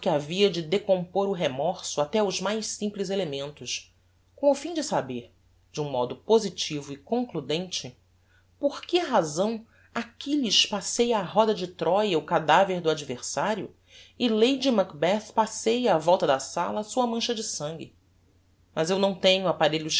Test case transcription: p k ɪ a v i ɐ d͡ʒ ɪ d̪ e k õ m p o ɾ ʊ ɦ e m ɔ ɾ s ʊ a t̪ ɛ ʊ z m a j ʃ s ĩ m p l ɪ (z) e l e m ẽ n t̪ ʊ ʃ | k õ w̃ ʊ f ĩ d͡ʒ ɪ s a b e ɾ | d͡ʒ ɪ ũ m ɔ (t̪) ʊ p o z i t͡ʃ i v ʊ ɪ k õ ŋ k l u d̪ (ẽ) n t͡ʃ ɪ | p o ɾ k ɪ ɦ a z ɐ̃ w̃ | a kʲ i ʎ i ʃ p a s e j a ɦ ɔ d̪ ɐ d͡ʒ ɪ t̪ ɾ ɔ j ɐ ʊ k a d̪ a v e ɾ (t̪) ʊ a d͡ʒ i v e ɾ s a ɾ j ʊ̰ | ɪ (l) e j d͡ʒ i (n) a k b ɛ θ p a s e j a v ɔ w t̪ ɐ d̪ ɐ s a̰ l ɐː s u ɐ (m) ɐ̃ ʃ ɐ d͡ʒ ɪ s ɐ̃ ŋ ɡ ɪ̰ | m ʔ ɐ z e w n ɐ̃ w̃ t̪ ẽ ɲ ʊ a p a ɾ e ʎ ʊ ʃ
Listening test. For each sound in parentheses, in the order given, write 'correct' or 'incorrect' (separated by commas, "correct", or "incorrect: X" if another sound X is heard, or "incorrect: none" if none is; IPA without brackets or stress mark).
correct, incorrect: d̪, correct, incorrect: d̪, correct, incorrect: m, correct